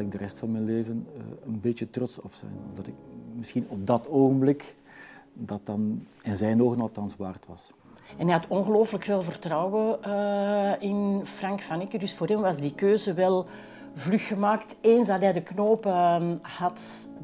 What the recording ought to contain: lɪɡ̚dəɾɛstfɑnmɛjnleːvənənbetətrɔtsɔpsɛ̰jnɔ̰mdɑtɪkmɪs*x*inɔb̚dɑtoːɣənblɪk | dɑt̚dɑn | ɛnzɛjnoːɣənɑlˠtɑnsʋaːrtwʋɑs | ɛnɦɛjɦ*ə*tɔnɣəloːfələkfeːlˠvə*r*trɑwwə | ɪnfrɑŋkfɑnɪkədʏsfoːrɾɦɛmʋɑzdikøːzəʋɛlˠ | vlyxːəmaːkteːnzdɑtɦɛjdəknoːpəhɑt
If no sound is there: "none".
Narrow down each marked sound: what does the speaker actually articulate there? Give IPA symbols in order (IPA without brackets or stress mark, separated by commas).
x, ɑ, r